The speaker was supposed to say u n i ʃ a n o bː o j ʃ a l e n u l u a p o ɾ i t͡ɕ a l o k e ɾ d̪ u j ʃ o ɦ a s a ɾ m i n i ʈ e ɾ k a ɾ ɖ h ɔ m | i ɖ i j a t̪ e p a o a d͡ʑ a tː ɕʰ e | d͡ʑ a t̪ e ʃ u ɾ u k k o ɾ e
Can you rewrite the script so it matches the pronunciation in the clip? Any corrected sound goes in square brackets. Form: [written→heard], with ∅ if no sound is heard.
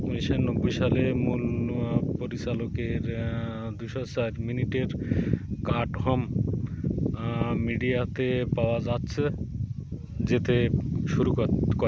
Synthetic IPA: u n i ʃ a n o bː o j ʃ a l e [n→m] u l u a p o ɾ i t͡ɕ a l o k e ɾ d̪ u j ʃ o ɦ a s a ɾ m i n i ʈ e ɾ k a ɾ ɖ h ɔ m | i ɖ i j a t̪ e p a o a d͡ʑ a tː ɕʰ e | d͡ʑ [a→e] t̪ e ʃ u ɾ u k k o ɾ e

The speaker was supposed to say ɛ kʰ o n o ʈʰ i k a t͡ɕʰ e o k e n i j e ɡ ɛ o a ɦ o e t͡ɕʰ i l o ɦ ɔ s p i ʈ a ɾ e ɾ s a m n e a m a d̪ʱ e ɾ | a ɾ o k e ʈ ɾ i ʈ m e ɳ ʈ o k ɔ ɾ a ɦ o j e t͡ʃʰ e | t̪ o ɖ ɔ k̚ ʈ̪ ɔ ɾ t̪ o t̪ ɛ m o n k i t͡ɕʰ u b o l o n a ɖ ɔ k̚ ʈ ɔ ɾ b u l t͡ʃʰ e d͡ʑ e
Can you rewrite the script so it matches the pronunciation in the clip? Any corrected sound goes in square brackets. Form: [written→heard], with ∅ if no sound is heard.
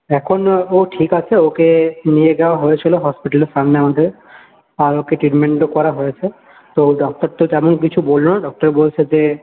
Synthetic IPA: ɛ kʰ o n o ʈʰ i k a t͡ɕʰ e o k e n i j e ɡ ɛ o a ɦ o e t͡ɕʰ i l o ɦ ɔ s p i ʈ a [ɾ→l] e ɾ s a m n e a m a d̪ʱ e ɾ | a ɾ o k e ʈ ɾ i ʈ m e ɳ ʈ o k ɔ ɾ a ɦ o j e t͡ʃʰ e | t̪ o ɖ ɔ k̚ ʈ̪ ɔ ɾ t̪ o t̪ ɛ m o n k i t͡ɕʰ u b o l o n a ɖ ɔ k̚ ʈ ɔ ɾ b [u→o] l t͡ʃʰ e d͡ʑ e

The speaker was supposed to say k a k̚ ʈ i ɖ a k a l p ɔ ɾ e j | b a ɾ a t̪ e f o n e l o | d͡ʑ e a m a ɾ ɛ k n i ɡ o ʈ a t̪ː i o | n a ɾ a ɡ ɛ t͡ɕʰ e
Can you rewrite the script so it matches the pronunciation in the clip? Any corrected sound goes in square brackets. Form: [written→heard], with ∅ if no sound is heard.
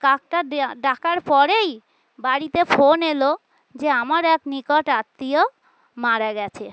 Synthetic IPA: k a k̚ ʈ [i→a] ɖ a k a [l→ɾ] p ɔ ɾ e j | b a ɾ [a→i] t̪ e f o n e l o | d͡ʑ e a m a ɾ ɛ k n i [ɡ→k] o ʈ a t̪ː i o | [n→m] a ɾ a ɡ ɛ t͡ɕʰ e

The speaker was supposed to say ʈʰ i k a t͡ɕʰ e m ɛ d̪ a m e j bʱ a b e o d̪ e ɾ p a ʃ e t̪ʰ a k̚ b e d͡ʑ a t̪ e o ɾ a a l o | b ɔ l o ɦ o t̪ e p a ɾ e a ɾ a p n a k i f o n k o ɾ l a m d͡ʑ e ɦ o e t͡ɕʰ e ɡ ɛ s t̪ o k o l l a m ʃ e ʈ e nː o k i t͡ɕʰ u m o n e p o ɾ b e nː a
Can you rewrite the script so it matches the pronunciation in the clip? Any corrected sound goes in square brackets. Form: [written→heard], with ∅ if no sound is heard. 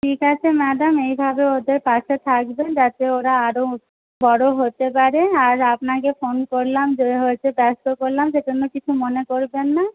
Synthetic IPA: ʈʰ i k a t͡ɕʰ e m ɛ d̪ a m e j bʱ a b e o d̪ e ɾ p a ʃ e t̪ʰ a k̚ b e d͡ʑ a t̪ e o ɾ a a [l→ɾ] o | b ɔ [l→ɽ] o ɦ o t̪ e p a ɾ e a ɾ a p n a k [i→e] f o n k o ɾ l a m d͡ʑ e ɦ o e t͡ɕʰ e [ɡ→b] ɛ s t̪ o k o [l→ɾ] l a m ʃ e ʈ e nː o k i t͡ɕʰ u m o n e [p→k] o ɾ b e nː a

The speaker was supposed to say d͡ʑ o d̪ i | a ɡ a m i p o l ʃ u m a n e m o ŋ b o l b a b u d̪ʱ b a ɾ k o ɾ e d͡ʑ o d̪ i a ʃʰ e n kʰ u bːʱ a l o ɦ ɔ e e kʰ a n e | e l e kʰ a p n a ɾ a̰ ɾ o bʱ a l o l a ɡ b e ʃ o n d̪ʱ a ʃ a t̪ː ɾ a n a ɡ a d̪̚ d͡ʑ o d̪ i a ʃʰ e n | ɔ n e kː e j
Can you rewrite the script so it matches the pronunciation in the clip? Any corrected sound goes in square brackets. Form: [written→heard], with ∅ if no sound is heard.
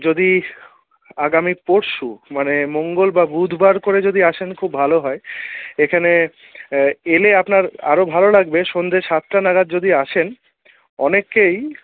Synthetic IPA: d͡ʑ o d̪ i | a ɡ a m i p o [l→ɾ] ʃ u m a n e m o ŋ [b→ɡ] o l b a b u d̪ʱ b a ɾ k o ɾ e d͡ʑ o d̪ i a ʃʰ e n kʰ u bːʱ a l o ɦ ɔ e e kʰ a n e | e l e [kʰ→∅] a p n a ɾ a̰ ɾ o bʱ a l o l a ɡ b e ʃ o n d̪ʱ [a→e] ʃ a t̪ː ɾ a n a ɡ a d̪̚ d͡ʑ o d̪ i a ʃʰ e n | ɔ n e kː e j

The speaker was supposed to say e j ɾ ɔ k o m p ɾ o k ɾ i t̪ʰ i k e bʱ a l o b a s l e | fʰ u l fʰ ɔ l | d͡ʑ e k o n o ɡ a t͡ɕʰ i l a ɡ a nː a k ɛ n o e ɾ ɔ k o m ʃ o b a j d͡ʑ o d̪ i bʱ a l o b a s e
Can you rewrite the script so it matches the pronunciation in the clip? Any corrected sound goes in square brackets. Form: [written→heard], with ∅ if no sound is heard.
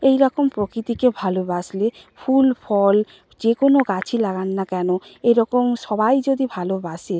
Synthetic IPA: e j ɾ ɔ k o m p ɾ o k ɾ i [t̪ʰ→t̪] i k e bʱ a l o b a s l e | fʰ u l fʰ ɔ l | d͡ʑ e k o n o ɡ a t͡ɕʰ i l a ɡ a nː a k ɛ n o e ɾ ɔ k o m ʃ [o→ɔ] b a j d͡ʑ o d̪ i bʱ a l o b a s e

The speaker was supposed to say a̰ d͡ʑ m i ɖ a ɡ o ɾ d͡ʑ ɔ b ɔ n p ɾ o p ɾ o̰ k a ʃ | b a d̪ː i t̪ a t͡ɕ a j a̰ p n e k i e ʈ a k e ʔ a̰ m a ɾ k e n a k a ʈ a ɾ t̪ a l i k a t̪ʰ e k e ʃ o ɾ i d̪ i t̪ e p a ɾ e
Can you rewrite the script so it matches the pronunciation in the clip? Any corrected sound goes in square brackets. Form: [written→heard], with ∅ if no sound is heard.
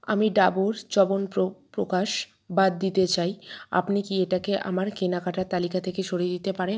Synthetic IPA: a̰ [d͡ʑ→∅] m i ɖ a [ɡ→b] o ɾ d͡ʑ ɔ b [ɔ→o] n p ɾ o p ɾ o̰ k a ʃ | b a d̪ː i t̪ [a→e] t͡ɕ a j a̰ p n [e→i] k i e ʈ a k e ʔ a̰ m a ɾ k e n a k a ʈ a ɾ t̪ a l i k a t̪ʰ e k e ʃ o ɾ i d̪ i t̪ e p a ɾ e

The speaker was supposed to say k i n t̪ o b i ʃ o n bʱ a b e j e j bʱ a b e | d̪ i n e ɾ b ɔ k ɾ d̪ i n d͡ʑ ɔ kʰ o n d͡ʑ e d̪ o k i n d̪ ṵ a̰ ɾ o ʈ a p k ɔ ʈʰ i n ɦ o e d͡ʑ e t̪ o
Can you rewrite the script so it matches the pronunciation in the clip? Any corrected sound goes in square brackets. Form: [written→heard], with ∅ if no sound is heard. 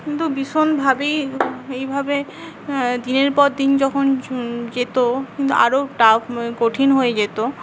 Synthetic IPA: k i n t̪ [o→u] b i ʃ o n bʱ a b e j e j bʱ a b e | d̪ i n e ɾ [b→p] ɔ [k→∅] ɾ d̪ i n d͡ʑ ɔ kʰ o n d͡ʑ e [d̪→t̪] o k i n [d̪→t̪] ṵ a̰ ɾ o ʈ a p k [ɔ→o] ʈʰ i n ɦ o e d͡ʑ e t̪ o

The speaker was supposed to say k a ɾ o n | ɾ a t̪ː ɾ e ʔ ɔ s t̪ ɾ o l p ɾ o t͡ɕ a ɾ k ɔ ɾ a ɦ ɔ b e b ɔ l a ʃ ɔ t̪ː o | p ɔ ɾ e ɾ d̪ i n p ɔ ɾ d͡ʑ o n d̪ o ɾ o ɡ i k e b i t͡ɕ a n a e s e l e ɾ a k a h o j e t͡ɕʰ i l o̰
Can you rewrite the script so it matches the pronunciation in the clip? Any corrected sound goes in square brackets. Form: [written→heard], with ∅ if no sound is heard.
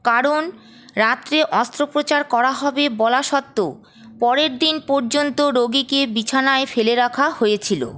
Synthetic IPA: k a ɾ o n | ɾ a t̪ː ɾ e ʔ ɔ s t̪ ɾ o [l→∅] p ɾ o t͡ɕ a ɾ k ɔ ɾ a ɦ ɔ b e b ɔ l a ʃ ɔ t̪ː o | p ɔ ɾ e ɾ d̪ i n p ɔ ɾ d͡ʑ o n [d̪→t̪] o ɾ o ɡ i k e b i [t͡ɕ→t͡ɕʰ] a n a e [s→f] e l e ɾ a [k→kʰ] a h o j e t͡ɕʰ i l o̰

